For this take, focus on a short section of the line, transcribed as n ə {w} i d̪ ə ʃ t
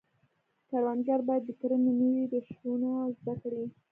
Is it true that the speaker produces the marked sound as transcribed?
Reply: yes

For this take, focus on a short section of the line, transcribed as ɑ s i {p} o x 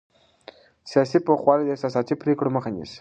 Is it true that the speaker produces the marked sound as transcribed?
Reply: yes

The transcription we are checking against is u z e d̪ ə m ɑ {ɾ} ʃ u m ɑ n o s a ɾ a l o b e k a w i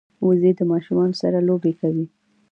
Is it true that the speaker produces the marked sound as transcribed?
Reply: no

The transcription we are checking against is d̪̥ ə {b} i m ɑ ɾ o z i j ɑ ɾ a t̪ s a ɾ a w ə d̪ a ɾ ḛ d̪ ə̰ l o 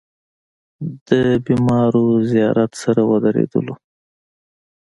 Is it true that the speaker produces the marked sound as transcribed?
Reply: yes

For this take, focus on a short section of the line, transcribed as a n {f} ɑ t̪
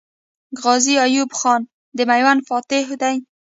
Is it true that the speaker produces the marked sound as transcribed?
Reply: yes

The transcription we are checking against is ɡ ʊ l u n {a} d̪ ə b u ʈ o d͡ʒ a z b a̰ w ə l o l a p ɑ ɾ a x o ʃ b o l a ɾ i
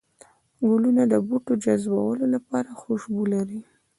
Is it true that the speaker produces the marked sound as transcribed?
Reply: yes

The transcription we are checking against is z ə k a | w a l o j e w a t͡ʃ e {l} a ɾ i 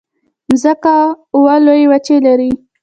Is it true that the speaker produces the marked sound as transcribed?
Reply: yes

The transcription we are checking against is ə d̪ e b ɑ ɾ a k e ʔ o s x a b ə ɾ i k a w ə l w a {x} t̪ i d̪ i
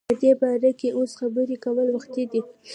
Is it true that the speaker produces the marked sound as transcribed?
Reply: yes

